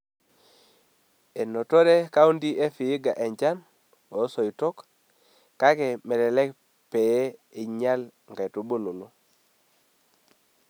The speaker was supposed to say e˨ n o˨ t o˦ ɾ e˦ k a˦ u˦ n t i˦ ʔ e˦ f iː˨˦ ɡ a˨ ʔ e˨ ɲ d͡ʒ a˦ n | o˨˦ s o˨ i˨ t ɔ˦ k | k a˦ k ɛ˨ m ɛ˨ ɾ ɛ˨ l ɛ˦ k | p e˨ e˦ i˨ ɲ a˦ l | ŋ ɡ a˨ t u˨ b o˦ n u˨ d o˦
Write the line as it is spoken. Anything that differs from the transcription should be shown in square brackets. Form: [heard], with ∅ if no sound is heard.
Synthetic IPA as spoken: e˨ n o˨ t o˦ ɾ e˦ k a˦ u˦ n [d] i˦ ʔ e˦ f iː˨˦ ɡ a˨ ʔ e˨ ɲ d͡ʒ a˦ n | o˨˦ s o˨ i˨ t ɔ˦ k | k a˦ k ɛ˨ m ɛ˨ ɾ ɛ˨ l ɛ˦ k | p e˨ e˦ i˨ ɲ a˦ l | ŋ ɡ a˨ t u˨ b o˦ n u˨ [n] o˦